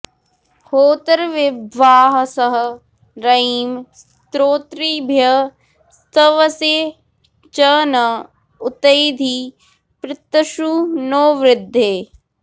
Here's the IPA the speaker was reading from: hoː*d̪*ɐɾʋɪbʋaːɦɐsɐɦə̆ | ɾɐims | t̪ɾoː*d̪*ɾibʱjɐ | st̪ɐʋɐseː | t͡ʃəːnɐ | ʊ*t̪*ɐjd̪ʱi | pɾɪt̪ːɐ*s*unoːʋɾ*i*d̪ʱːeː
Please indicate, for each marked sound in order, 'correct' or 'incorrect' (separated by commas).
incorrect, incorrect, correct, incorrect, incorrect